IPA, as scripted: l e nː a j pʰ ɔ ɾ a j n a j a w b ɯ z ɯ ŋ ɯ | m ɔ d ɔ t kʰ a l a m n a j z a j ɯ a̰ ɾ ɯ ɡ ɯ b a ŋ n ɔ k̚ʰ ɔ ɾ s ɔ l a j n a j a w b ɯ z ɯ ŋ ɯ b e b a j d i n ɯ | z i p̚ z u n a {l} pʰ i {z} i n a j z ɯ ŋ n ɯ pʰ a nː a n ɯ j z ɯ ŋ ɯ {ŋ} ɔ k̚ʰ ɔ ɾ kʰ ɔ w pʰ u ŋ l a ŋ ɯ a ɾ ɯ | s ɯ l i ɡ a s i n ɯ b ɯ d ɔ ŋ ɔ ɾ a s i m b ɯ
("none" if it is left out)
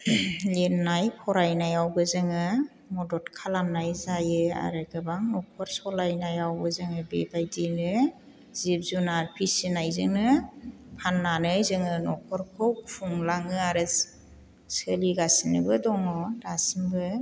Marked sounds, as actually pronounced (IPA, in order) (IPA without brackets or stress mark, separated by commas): ɾ, s, n